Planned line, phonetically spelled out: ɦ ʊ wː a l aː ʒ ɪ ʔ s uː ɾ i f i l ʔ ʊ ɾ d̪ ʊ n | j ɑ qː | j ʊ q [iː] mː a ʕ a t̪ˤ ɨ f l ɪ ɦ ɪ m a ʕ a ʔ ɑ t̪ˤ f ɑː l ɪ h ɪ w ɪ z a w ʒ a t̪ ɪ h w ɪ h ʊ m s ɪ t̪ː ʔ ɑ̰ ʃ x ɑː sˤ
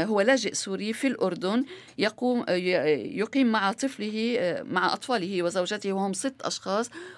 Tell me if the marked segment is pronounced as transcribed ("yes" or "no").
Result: yes